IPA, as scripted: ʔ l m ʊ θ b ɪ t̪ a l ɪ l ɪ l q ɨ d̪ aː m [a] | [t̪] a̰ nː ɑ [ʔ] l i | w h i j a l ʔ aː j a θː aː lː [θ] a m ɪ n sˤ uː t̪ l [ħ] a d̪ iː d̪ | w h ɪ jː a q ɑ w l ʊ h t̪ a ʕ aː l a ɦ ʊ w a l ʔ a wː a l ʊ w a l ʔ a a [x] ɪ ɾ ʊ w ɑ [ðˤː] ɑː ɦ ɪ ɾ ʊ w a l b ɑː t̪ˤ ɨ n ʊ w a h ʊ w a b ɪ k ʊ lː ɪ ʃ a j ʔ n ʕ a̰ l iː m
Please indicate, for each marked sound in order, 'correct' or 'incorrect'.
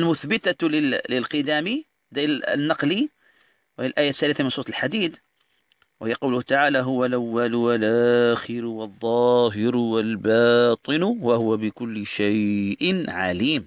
incorrect: i, incorrect: d̪, incorrect: q, correct, correct, correct, correct

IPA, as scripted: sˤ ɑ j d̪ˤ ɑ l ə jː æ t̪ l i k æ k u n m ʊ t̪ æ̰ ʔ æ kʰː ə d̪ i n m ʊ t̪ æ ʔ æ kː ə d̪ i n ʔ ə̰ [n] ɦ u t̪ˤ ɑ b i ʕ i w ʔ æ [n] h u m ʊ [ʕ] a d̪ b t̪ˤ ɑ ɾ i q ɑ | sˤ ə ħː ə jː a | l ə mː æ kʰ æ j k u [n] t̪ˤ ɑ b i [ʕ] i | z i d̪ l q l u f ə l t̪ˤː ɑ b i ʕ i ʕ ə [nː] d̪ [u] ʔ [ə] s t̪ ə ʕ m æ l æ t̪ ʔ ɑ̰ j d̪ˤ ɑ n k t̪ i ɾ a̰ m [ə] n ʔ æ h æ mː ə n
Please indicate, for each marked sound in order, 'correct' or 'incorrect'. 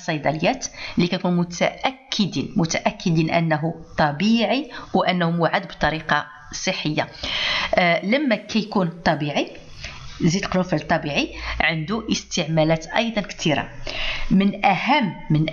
incorrect: nː, incorrect: nː, correct, correct, correct, incorrect: n, correct, correct, correct

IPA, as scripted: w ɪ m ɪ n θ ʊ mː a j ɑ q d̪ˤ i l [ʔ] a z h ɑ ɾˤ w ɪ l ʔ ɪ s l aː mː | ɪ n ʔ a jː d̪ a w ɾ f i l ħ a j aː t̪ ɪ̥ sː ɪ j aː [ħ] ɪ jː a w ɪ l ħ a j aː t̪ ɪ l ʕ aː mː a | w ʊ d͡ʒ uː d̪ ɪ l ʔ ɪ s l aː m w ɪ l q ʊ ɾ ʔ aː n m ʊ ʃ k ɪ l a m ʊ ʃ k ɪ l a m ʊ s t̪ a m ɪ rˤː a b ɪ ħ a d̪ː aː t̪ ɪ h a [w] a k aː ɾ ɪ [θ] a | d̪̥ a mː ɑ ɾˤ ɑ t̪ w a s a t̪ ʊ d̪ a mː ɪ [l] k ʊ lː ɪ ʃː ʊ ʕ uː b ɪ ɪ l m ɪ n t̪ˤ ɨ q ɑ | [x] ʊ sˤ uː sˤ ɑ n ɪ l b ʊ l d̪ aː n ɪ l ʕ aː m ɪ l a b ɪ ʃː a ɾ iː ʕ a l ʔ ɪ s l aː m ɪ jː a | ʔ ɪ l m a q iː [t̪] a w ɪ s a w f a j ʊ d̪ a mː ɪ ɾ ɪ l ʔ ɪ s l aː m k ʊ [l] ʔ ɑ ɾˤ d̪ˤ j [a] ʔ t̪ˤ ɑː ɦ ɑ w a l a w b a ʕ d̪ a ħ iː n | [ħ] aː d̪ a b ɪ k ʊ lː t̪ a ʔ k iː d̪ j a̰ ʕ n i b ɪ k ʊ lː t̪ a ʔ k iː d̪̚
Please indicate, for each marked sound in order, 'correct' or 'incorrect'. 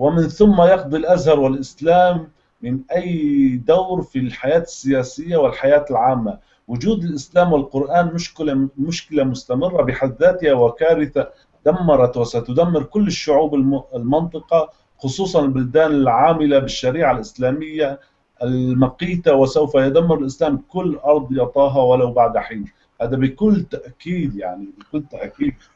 correct, incorrect: s, correct, correct, incorrect: ɾ, correct, correct, incorrect: lː, incorrect: ɑ, incorrect: h

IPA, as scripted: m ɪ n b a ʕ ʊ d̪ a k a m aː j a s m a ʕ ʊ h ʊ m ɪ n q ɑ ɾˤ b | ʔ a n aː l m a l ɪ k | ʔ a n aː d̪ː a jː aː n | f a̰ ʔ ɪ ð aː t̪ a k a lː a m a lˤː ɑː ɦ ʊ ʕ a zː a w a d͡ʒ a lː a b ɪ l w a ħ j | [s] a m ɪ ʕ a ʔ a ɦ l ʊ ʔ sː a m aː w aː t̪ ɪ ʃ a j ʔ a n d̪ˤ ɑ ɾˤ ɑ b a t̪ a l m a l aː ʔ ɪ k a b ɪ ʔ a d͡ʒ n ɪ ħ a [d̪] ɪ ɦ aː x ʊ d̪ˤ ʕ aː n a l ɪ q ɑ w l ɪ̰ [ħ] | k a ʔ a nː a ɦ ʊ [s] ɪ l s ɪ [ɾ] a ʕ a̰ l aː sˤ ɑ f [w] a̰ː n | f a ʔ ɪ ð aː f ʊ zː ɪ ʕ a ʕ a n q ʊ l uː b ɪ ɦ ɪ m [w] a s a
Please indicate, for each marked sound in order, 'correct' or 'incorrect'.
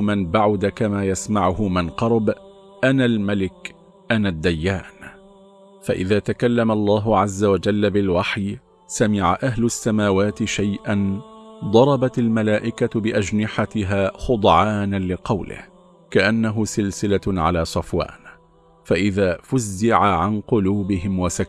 correct, incorrect: t̪, incorrect: h, correct, incorrect: l, correct, correct

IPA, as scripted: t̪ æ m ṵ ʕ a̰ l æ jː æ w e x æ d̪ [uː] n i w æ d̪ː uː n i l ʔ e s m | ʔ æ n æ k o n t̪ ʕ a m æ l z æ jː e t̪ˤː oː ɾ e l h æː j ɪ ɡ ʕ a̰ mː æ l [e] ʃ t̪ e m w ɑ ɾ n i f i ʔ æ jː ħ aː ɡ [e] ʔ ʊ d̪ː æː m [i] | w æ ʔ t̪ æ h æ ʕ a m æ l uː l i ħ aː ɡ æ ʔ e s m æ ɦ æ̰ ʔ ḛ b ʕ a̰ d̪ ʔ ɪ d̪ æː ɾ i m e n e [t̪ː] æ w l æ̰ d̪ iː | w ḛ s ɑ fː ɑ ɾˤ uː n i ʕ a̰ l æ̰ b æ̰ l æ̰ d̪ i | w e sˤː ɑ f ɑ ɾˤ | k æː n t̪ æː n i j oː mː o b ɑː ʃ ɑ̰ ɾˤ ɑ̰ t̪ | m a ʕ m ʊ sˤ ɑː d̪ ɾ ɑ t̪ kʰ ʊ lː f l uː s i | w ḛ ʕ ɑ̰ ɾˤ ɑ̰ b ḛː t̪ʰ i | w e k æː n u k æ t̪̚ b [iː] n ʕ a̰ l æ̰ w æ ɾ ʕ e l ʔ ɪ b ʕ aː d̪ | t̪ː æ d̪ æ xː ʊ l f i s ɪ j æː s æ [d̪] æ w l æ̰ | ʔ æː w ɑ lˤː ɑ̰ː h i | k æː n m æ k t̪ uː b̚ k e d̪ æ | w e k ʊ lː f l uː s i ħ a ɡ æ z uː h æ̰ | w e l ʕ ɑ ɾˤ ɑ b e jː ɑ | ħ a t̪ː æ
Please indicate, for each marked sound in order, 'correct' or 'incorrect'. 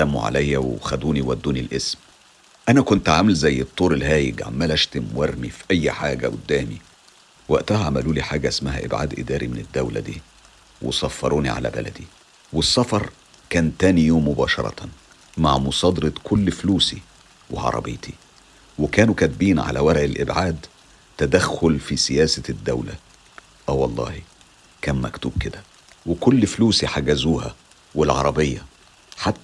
correct, incorrect: æ, incorrect: æ, correct, incorrect: d̪ː, correct, incorrect: d̪ː

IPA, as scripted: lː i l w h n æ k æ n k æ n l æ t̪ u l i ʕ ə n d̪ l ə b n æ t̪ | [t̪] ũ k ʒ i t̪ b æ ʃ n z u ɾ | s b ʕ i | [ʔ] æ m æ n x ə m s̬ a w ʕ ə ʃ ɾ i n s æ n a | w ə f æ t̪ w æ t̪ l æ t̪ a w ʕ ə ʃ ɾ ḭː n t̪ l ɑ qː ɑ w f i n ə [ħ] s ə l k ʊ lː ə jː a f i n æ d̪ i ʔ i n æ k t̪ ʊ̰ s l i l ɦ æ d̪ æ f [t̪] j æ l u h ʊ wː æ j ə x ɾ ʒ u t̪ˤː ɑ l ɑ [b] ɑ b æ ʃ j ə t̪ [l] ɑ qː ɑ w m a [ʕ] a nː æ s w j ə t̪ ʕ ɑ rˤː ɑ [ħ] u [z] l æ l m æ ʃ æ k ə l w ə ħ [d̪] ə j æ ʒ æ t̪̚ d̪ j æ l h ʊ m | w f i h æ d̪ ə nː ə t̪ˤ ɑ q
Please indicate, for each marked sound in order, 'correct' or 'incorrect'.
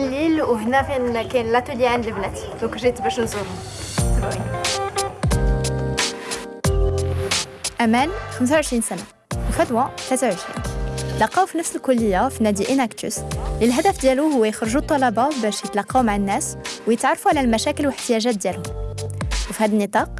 incorrect: d̪, correct, incorrect: f, incorrect: d̪, correct, correct, correct, incorrect: f, incorrect: ʕ, incorrect: t̪

